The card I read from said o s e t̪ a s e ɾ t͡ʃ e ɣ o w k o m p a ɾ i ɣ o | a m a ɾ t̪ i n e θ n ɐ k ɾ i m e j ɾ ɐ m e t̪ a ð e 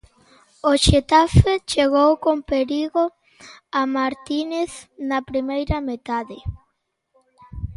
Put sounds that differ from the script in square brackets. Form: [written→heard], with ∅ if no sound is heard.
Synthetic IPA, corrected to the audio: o [s→ʃ] e t̪ a [s→f] e [ɾ→∅] t͡ʃ e ɣ o w k o m p [a→e] ɾ i ɣ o | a m a ɾ t̪ i n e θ n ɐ [k→p] ɾ i m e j ɾ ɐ m e t̪ a ð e

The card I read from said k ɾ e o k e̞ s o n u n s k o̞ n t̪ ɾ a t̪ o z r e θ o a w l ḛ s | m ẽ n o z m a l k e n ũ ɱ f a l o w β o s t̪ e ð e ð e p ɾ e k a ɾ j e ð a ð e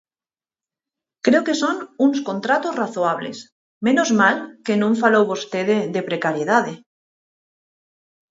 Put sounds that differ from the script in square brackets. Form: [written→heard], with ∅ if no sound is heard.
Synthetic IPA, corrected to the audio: k ɾ e o k e̞ s o n u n s k o̞ n t̪ ɾ a t̪ o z r [e→a] θ o a [w→β] l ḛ s | m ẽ n o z m a l k e n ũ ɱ f a l o w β o s t̪ e ð e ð e p ɾ e k a ɾ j e ð a ð e

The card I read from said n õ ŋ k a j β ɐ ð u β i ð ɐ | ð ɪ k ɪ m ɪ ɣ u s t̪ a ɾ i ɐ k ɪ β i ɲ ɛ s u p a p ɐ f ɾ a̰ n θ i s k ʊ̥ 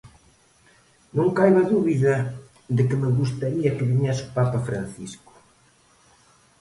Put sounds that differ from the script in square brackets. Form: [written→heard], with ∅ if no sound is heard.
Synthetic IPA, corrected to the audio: n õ ŋ k a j β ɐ ð u β i ð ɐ | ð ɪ k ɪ m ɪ ɣ u s t̪ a ɾ i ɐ k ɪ β i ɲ ɛ s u p a p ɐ f ɾ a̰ n θ i s k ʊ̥

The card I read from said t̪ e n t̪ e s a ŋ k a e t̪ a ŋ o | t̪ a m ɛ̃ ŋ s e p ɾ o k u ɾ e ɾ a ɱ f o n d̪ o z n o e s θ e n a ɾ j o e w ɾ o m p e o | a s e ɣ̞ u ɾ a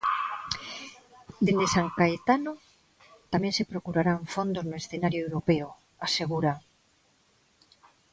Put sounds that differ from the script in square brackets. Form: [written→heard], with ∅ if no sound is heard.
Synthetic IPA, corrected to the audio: [t̪→d̪] e n [t̪→d̪] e s a ŋ k a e t̪ a [ŋ→n] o | t̪ a m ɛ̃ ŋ s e p ɾ o k u ɾ [e→a] ɾ a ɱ f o n d̪ o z n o e s θ e n a ɾ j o e w ɾ o [m→∅] p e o | a s e ɣ̞ u ɾ a

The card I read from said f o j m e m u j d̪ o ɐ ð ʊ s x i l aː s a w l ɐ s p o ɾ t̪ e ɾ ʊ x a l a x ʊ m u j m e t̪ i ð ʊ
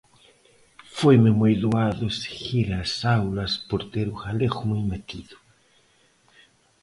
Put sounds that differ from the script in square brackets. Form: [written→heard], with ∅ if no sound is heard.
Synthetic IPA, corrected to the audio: f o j m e m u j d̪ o [ɐ→a] ð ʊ s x i [l→ɾ] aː s a w l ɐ s p o ɾ t̪ e ɾ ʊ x a l [a→e] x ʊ m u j m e t̪ i ð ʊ

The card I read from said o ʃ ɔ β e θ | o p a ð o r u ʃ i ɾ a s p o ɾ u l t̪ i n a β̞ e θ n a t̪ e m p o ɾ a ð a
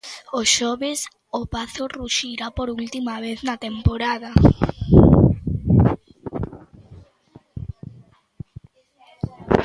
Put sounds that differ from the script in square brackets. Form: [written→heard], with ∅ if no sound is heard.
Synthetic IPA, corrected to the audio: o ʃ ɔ β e [θ→s] | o p a [ð→θ] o r u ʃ i ɾ a [s→∅] p o ɾ u l t̪ i [n→m] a β̞ e θ n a t̪ e m p o ɾ a ð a

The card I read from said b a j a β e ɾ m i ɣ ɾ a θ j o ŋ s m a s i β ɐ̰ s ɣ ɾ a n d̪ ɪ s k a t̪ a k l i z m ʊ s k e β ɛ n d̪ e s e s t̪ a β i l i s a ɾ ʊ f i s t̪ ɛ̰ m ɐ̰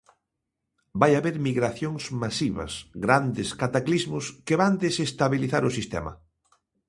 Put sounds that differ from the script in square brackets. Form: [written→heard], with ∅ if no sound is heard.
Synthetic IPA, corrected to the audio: b a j a β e ɾ m i ɣ ɾ a θ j o ŋ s m a s i β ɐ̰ s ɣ ɾ a n d̪ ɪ s k a t̪ a k l i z m ʊ s k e β [ɛ→a] n d̪ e s e s t̪ a β i l i [s→θ] a ɾ ʊ [f→s] i s t̪ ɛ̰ m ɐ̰

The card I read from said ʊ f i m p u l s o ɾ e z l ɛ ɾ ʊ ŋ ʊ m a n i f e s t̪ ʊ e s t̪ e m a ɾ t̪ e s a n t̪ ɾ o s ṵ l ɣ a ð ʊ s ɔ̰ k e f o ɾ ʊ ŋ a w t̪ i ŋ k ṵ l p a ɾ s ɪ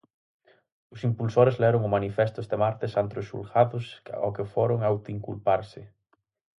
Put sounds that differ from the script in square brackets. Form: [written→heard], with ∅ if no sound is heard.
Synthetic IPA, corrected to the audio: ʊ [f→s] i m p u l s o ɾ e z l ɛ ɾ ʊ ŋ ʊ m a n i f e s t̪ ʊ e s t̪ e m a ɾ t̪ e s a n t̪ ɾ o s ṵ l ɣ a ð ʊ s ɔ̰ k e f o ɾ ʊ ŋ a w t̪ i ŋ k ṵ l p a ɾ s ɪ

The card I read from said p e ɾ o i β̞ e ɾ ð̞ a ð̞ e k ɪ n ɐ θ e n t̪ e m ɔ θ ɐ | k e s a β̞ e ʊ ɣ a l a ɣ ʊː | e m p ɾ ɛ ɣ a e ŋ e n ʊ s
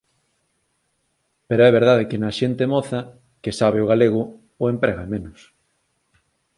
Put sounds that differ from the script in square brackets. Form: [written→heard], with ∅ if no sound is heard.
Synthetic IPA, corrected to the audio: p e ɾ o [i→ɛ] β̞ e ɾ ð̞ a ð̞ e k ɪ n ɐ [θ→ʃ] e n t̪ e m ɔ θ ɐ | k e s a β̞ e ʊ ɣ a l [a→e] ɣ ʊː | e m p ɾ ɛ ɣ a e [ŋ→m] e n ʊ s

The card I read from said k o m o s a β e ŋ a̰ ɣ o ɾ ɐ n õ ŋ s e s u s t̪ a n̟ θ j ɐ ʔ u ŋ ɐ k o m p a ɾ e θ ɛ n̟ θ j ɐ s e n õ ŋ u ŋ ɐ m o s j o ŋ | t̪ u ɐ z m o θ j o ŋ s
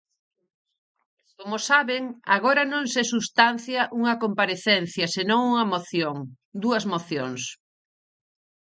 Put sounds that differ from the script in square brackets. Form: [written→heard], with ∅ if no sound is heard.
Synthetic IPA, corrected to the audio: k o m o s a β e ŋ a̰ ɣ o ɾ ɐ n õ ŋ s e s u s t̪ a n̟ θ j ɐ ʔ u ŋ ɐ k o m p a ɾ e θ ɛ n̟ θ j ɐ s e n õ ŋ u ŋ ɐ m o [s→θ] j o ŋ | [t̪→d̪] u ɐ z m o θ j o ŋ s

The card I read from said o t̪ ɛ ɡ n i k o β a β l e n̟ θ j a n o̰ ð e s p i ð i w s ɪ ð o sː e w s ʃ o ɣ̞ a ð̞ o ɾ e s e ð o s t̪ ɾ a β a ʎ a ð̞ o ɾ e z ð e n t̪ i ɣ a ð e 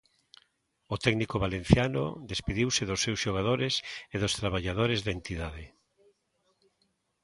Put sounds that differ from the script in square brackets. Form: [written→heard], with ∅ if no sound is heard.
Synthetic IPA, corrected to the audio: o t̪ ɛ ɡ n i k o β a [β→∅] l e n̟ θ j a n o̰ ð e s p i ð i w s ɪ ð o sː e w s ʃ o ɣ̞ a ð̞ o ɾ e s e ð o s t̪ ɾ a β a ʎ a ð̞ o ɾ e z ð e n t̪ i [ɣ→ð] a ð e

